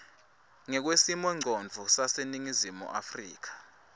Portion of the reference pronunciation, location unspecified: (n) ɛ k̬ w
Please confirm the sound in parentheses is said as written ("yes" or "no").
no